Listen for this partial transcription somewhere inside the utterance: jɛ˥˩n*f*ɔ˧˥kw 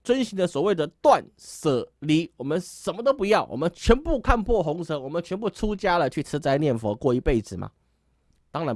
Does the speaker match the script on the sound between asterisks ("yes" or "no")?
yes